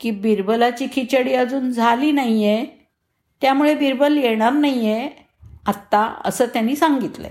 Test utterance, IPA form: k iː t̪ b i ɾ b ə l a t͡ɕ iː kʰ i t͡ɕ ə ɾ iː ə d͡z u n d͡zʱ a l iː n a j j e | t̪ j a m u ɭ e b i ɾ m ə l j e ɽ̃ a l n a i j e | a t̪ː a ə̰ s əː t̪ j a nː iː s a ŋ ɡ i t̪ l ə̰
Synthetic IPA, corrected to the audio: k iː b i ɾ b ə l a t͡ɕ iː kʰ i t͡ɕ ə ɽ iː ə d͡z uː n d͡zʱ a l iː n a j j e | t̪ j a m u ɭ e b i ɾ b ə l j e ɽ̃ a ɾ n a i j e | a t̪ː a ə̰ s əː t̪ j a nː iː s a ŋ ɡ i t̪ l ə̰